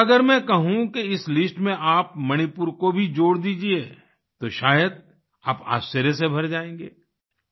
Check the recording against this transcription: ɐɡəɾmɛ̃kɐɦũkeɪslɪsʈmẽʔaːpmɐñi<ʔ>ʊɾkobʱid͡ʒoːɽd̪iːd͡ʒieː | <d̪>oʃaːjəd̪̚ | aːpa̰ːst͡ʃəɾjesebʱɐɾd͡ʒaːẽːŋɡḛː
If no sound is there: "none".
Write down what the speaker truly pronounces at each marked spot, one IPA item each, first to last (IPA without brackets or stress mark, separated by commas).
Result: p, t̪